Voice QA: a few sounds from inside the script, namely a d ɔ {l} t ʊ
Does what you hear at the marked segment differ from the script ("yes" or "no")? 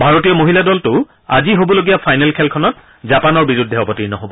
no